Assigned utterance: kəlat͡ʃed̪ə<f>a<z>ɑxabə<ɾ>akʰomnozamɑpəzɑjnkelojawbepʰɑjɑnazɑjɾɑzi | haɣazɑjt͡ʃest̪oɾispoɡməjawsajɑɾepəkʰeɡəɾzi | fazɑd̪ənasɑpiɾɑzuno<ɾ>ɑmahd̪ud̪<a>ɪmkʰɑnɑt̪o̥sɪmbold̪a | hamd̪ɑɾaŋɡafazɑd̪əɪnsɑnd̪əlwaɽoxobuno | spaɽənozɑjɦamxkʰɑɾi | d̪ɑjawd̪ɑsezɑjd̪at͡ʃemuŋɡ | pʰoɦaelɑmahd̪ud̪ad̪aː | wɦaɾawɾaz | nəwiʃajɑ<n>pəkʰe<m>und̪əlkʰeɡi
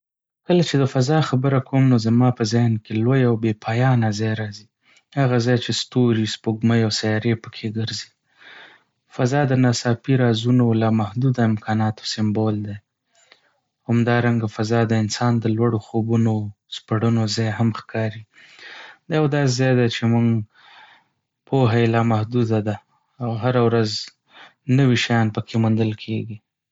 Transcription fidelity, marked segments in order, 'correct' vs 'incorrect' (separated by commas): correct, correct, correct, incorrect, correct, correct, correct